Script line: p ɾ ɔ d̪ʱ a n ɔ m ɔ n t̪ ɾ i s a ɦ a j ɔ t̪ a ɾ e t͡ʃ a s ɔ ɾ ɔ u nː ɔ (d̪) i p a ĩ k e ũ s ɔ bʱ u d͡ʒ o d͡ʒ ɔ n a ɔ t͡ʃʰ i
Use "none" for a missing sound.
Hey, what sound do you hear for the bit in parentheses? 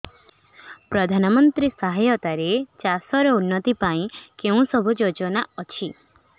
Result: t̪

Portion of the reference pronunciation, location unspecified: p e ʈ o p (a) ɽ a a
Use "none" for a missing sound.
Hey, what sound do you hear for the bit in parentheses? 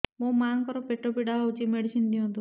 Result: i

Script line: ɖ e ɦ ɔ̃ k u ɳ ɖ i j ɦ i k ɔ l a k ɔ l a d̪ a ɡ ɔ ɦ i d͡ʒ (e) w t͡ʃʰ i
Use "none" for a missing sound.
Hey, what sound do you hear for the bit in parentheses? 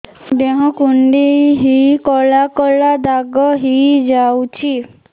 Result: a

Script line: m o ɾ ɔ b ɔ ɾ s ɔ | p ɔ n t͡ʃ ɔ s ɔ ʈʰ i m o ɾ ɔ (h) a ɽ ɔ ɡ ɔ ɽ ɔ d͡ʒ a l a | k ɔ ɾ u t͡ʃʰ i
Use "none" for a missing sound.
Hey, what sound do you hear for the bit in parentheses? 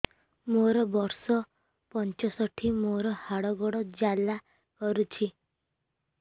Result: h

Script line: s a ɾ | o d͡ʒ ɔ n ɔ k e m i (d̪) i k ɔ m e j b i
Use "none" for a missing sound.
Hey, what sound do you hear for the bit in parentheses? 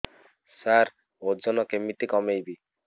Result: t̪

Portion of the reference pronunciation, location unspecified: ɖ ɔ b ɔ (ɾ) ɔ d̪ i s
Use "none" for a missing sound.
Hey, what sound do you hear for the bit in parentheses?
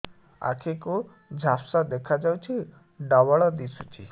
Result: ɭ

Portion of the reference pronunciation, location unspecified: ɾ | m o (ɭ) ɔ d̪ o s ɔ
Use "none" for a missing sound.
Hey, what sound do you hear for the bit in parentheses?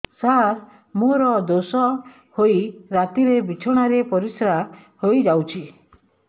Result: ɾ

